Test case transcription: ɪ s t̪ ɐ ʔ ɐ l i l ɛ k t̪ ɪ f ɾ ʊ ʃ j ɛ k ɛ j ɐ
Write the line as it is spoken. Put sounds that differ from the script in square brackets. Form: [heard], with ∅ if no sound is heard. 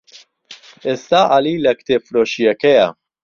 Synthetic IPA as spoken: ɪ s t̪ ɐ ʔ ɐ l [iː] l ɛ k t̪ ɪ f ɾ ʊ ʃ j ɛ k ɛ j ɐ